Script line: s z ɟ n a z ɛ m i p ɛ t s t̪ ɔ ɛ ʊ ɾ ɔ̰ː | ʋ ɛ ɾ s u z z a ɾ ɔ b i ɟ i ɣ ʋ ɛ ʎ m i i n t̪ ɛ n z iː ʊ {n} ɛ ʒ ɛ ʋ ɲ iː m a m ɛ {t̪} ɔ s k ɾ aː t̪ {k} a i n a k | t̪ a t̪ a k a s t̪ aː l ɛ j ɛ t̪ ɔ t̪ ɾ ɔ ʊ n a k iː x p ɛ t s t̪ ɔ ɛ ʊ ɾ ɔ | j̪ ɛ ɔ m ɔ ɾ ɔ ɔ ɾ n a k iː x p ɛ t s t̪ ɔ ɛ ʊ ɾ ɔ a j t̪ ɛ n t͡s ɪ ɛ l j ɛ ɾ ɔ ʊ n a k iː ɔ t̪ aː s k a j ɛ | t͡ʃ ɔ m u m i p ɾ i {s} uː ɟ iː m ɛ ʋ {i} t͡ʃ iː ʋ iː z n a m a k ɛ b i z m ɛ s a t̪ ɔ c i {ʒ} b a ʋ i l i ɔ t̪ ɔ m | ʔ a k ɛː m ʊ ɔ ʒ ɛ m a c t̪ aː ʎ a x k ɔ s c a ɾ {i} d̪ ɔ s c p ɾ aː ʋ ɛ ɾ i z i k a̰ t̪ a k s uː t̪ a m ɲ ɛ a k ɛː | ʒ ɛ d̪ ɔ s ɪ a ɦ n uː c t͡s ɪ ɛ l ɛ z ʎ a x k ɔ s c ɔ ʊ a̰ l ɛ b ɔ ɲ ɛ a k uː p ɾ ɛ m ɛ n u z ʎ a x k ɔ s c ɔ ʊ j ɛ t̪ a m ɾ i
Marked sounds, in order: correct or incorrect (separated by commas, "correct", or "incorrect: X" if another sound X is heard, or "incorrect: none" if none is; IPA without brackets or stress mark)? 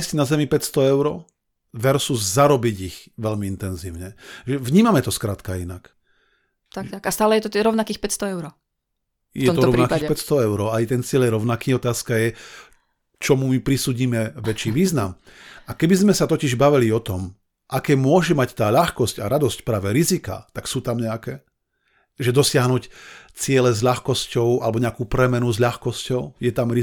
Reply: incorrect: ɲ, correct, correct, correct, incorrect: ɛ, correct, incorrect: a